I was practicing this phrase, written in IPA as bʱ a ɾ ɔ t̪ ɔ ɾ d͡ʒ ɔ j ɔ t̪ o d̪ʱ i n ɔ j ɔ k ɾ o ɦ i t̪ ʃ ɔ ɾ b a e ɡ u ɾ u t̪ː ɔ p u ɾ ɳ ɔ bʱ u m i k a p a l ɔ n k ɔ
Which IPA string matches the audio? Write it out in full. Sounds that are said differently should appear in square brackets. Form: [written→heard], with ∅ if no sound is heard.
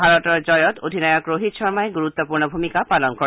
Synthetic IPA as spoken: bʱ a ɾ ɔ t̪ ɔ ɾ d͡ʒ ɔ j ɔ t̪ o d̪ʱ i n ɔ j ɔ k ɾ o ɦ i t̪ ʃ ɔ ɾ [b→m] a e ɡ u ɾ u t̪ː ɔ p u ɾ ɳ ɔ bʱ u m i k a p a l ɔ n k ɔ